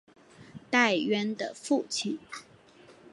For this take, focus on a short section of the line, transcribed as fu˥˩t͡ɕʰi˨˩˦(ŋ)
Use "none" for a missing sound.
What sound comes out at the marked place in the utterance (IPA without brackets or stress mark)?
n